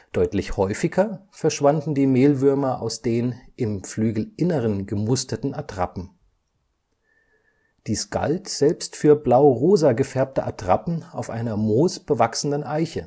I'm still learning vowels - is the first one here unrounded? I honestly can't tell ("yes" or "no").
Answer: no